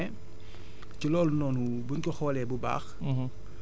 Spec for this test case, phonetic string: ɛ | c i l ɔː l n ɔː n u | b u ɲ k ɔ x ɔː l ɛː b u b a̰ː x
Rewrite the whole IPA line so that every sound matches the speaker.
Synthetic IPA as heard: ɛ | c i l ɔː l n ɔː n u | b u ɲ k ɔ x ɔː l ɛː b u b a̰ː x